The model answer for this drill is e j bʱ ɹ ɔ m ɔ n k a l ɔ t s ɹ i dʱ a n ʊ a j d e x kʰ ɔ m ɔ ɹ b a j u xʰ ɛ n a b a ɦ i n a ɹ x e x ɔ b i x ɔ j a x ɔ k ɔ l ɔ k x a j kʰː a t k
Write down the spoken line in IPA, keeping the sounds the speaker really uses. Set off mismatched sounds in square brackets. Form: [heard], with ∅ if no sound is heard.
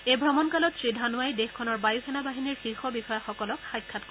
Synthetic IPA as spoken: e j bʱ ɹ ɔ m ɔ n k a l ɔ t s ɹ i dʱ a n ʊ a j d e x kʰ ɔ [n] ɔ ɹ b a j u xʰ ɛ n a b a ɦ i n [i] ɹ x [i] x ɔ b i x ɔ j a x ɔ k ɔ l ɔ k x a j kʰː a t k